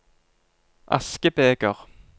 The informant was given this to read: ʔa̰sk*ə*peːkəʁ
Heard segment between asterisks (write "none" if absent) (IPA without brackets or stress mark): ə